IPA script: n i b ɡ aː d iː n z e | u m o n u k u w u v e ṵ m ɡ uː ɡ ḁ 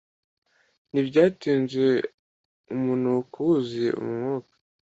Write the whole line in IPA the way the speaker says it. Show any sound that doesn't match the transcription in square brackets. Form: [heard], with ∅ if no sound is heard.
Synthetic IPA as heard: n i b [ɟ] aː [t] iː n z e | u m [u] n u k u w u [z] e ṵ m [ŋ] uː [k] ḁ